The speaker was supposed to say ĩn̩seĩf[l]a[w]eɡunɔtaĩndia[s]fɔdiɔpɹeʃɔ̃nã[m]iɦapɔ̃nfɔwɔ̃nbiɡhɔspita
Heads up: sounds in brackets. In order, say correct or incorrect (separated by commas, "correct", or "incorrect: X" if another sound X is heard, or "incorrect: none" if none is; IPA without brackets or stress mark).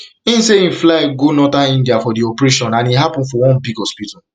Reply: correct, incorrect: none, incorrect: none, incorrect: n